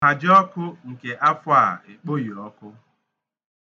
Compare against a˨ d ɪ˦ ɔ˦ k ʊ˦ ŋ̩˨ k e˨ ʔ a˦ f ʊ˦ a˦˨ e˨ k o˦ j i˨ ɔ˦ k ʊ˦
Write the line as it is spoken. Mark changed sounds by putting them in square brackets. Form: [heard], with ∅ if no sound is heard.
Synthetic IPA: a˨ [d͡ʒ] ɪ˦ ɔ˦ k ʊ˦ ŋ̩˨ k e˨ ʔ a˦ f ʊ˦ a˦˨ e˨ [k͡p] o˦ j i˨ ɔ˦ k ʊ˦

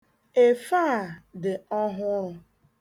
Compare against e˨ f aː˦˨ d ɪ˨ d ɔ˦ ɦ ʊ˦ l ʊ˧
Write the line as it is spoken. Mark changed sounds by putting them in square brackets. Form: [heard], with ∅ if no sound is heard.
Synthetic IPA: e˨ f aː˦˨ d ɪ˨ [∅] ɔ˦ ɦ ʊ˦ [ɾ] ʊ˧

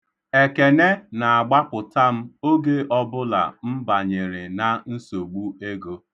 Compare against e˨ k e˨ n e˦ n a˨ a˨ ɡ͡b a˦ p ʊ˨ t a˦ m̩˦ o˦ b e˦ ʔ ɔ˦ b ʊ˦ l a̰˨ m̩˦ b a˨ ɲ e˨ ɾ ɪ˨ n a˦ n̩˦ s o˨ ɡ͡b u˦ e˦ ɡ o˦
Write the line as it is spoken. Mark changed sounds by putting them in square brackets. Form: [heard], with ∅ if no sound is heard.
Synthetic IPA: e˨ k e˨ n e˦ n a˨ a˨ ɡ͡b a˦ p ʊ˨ t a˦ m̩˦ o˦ [ɡ] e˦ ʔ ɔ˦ b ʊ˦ l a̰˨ m̩˦ b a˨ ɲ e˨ ɾ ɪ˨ n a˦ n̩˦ s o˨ ɡ͡b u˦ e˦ ɡ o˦

